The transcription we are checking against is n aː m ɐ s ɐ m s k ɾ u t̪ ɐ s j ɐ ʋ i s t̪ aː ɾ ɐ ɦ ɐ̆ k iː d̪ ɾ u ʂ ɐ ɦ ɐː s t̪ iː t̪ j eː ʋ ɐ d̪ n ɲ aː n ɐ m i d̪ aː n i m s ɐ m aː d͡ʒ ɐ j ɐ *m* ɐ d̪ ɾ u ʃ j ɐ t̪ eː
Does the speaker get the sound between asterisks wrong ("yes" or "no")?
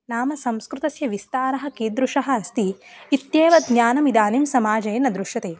yes